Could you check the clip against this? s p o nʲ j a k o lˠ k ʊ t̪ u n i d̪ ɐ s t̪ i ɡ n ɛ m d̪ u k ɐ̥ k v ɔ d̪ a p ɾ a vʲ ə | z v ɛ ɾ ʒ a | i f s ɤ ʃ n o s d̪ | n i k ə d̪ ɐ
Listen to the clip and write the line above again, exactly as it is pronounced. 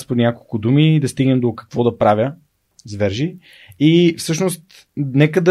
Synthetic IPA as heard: s p o nʲ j a k o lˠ k ʊ d̪ u m i d̪ ɐ s t̪ i ɡ n ɛ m d̪ o k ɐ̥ k v ɔ d̪ ɐ p ɾ a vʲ ə | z v ɛ ɾ ʒ i | i f s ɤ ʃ n o s t̪ | n ɛ k ə d̪ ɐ